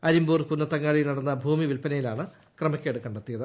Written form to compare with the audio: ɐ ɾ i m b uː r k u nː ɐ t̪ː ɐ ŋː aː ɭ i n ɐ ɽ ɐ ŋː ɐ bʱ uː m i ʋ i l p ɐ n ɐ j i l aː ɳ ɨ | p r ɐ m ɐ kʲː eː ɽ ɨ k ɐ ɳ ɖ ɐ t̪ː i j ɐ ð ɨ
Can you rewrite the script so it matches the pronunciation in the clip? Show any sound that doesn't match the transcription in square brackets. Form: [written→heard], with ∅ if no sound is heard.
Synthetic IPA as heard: ɐ ɾ i m b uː r k u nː ɐ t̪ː ɐ ŋː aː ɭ i n ɐ ɽ ɐ [ŋː→nː] ɐ bʱ uː m i ʋ i l p ɐ n ɐ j i l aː ɳ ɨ | [p→k] r ɐ m ɐ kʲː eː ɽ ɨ k ɐ ɳ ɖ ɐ t̪ː i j ɐ ð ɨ